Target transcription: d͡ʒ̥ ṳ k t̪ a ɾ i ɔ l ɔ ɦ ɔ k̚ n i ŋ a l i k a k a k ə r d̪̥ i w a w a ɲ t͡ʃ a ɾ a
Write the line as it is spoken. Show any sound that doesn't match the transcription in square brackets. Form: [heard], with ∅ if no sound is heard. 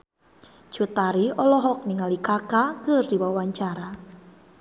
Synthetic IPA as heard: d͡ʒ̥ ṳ [∅] t̪ a ɾ i ɔ l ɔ ɦ ɔ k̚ n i ŋ a l i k a k a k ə r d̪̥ i w a w a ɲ t͡ʃ a ɾ a

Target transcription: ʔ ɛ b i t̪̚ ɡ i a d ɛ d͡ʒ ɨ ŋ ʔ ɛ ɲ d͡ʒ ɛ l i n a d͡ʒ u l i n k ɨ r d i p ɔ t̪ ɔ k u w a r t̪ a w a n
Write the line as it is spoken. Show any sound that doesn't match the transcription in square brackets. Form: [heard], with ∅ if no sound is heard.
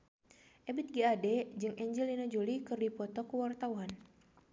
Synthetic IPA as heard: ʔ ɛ b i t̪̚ ɡ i a d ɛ d͡ʒ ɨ ŋ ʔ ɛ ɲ d͡ʒ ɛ l i n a d͡ʒ u l i [∅] k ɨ r d i p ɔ t̪ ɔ k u w a r t̪ a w a n

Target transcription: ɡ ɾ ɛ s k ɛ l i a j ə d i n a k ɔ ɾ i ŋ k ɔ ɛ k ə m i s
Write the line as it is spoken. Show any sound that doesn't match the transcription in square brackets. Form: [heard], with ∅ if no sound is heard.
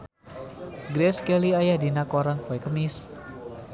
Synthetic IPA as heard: ɡ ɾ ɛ s k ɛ l i a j [a] d i n a k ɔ ɾ [a] ŋ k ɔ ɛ k ə m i s

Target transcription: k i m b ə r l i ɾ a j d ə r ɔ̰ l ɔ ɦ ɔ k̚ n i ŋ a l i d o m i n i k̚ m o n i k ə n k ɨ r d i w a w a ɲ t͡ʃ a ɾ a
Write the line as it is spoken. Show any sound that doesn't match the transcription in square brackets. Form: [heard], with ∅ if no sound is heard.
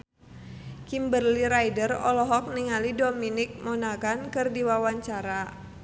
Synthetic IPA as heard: k i m b ə r l i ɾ a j d ə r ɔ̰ l ɔ ɦ ɔ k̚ n i ŋ a l i d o m i n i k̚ m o n [a] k [a] n k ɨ r d i w a w a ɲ t͡ʃ a ɾ a

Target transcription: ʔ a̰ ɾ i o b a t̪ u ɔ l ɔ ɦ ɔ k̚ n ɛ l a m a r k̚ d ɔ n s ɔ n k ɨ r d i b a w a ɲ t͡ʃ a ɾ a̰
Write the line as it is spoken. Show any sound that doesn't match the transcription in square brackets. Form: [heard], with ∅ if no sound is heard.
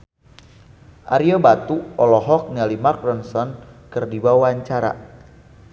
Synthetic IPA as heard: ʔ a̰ ɾ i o b a t̪ u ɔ l ɔ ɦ ɔ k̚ n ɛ l [i] m a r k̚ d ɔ n s ɔ n k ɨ r d i b a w a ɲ t͡ʃ a ɾ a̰

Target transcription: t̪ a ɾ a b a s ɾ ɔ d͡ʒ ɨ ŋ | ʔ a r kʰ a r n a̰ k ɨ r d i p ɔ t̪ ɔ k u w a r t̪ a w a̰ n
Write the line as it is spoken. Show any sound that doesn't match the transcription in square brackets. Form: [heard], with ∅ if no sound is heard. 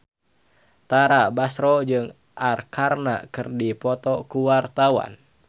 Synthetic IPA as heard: t̪ a ɾ a b a s ɾ ɔ d͡ʒ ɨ ŋ | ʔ a r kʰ a r n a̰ k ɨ r d i p ɔ t̪ ɔ k u w a r t̪ a w a̰ n

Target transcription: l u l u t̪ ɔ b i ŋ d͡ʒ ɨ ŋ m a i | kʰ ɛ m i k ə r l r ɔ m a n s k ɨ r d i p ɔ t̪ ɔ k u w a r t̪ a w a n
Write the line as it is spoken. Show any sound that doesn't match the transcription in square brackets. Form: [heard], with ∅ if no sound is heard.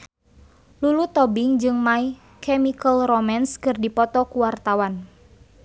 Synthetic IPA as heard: l u l u t̪ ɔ b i ŋ d͡ʒ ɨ ŋ m a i | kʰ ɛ m i k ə [∅] l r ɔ m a n s k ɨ r d i p ɔ t̪ ɔ k u w a r t̪ a w a n

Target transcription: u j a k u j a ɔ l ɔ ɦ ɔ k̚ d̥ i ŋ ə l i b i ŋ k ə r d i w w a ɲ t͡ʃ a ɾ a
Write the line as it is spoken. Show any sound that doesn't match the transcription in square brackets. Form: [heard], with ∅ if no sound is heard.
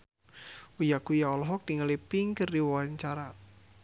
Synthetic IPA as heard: u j a k u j a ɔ l ɔ ɦ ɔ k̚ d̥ i ŋ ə l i [p] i ŋ k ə r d i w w a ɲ t͡ʃ a ɾ a

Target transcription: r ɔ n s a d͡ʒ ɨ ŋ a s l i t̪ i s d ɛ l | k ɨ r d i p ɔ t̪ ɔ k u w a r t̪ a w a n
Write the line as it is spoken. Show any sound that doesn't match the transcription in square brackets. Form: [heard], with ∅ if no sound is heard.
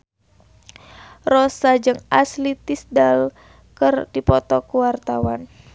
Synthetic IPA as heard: r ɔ [∅] s a d͡ʒ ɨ ŋ a s l i t̪ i s d [a] l | k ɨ r d i p ɔ t̪ ɔ k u w a r t̪ a w a n

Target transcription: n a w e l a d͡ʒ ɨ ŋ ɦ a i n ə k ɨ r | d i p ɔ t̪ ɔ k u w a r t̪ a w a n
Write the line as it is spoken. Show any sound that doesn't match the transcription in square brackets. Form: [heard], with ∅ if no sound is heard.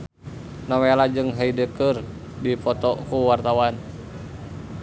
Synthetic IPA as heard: n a w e l a d͡ʒ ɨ ŋ ɦ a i [d] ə k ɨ r | d i p ɔ t̪ ɔ k u w a r t̪ a w a n

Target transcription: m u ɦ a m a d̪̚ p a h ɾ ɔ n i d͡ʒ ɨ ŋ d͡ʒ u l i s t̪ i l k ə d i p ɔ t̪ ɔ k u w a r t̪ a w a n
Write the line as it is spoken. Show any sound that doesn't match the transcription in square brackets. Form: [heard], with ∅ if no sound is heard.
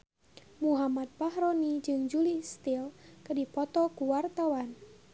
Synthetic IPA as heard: m u ɦ a m a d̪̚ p a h ɾ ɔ n i d͡ʒ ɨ ŋ d͡ʒ u l i s t̪ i l k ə d i p ɔ t̪ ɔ k u w a r t̪ a w a n

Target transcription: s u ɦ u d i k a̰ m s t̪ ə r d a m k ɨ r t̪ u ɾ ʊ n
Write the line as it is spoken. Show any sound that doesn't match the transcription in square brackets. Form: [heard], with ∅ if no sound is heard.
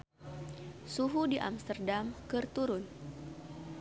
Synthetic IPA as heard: s u ɦ u d i [ʔ] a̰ m s t̪ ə r d a m k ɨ r t̪ u ɾ ʊ n

